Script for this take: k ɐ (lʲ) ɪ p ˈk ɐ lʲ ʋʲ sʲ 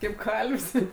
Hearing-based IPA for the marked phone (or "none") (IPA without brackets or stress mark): none